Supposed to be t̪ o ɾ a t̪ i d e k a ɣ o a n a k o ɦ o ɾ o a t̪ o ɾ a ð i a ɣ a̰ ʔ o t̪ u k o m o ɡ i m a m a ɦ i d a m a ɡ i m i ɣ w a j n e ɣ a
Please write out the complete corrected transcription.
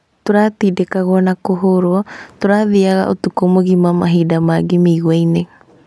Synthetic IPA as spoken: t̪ o ɾ a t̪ i d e k a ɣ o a n a k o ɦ o ɾ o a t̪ o ɾ a ð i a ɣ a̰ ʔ o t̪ u k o m o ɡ i m a m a ɦ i d a m a ɡ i m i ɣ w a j n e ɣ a